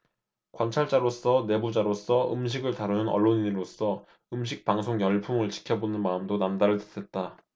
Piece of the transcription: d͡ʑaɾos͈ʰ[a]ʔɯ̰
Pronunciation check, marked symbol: incorrect: ʌ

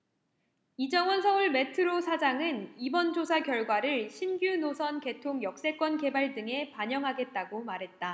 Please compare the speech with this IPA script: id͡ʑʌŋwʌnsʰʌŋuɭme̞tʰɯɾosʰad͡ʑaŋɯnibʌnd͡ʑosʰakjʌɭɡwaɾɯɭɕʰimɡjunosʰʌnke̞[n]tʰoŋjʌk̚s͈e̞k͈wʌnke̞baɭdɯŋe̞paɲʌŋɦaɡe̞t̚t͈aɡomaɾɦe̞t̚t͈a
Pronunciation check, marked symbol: incorrect: none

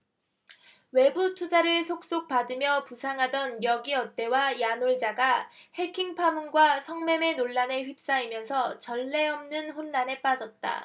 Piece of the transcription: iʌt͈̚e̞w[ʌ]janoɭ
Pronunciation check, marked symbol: incorrect: a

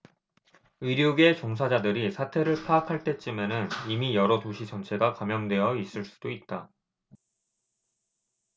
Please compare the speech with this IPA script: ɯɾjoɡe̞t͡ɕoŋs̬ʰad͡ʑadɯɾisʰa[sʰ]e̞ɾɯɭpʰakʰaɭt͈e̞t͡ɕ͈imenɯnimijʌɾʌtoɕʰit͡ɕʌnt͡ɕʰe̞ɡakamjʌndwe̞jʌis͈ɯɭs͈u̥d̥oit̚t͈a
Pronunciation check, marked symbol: incorrect: tʰ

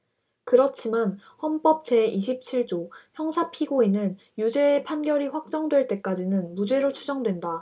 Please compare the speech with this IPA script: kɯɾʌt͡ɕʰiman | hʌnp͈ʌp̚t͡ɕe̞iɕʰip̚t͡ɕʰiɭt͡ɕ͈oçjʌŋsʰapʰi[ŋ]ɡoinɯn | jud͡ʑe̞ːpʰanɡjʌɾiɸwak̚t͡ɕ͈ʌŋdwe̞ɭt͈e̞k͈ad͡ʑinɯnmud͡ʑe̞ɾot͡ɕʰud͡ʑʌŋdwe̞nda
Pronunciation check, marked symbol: incorrect: none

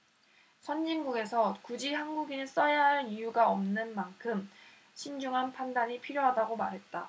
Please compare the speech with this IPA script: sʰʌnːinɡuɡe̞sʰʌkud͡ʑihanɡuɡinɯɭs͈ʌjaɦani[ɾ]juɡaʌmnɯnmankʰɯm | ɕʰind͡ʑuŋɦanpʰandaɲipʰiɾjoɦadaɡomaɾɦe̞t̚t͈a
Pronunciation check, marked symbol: incorrect: none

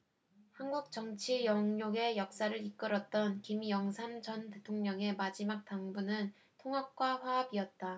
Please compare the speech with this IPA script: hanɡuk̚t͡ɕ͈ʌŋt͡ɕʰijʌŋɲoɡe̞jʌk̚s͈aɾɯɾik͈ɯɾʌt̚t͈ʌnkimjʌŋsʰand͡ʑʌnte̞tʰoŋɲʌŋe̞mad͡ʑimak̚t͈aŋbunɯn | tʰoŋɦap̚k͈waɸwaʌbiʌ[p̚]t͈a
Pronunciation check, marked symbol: incorrect: t̚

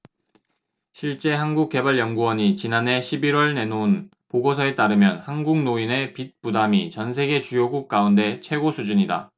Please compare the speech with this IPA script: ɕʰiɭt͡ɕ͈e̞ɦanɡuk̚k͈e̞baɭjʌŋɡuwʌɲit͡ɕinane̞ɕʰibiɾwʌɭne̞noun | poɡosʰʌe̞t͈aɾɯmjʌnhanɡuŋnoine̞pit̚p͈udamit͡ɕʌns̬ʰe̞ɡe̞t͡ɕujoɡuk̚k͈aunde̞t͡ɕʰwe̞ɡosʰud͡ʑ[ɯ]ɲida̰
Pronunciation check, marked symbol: incorrect: u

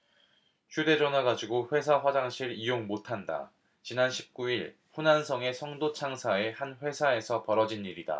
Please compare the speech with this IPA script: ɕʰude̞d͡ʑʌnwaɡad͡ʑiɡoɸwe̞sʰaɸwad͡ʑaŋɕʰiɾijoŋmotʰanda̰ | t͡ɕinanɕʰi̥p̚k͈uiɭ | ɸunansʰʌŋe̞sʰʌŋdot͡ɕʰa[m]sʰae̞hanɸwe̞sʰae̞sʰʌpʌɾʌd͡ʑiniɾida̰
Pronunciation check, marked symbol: incorrect: ŋ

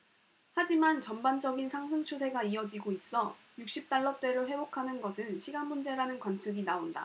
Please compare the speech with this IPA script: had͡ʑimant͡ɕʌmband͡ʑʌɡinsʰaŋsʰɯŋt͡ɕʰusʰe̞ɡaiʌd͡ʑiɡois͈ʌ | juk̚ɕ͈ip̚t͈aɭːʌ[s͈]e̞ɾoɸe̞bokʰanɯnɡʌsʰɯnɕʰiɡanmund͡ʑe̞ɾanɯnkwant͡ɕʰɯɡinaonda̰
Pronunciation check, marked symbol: incorrect: t͈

